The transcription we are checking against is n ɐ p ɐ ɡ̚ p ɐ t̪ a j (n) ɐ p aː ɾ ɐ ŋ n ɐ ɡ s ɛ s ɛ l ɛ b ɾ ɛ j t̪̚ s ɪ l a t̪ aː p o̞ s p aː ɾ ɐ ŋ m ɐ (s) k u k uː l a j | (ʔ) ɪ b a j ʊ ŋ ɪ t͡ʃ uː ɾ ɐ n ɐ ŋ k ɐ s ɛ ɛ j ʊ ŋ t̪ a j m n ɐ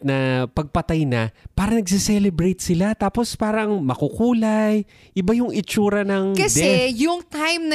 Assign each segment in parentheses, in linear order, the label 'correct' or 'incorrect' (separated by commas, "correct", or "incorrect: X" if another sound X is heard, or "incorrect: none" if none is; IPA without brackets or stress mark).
correct, incorrect: none, correct